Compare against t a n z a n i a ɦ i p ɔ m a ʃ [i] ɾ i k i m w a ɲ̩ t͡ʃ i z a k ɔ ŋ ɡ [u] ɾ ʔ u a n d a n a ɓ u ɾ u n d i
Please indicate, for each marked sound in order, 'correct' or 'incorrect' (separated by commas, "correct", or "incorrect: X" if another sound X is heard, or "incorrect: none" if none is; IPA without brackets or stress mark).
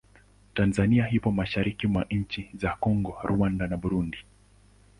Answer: incorrect: a, incorrect: ɔ